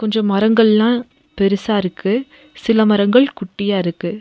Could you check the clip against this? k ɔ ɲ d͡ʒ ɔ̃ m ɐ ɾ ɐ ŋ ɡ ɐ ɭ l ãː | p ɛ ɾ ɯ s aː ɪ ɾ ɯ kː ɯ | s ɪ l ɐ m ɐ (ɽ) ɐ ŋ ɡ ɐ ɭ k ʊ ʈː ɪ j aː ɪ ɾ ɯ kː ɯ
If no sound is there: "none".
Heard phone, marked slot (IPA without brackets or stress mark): ɾ